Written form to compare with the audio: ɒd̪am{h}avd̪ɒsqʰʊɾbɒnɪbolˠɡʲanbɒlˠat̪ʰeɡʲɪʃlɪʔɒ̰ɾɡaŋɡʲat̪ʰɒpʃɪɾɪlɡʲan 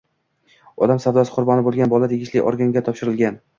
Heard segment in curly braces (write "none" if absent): s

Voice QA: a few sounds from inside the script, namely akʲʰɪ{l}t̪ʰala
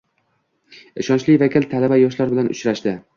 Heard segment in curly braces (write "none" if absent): l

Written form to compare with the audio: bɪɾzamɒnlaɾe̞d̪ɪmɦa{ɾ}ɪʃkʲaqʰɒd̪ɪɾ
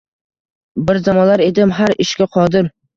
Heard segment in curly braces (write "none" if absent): ɾ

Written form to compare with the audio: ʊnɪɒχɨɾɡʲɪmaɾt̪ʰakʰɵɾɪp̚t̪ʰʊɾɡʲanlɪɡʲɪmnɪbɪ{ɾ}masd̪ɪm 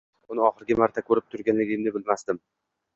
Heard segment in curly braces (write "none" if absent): l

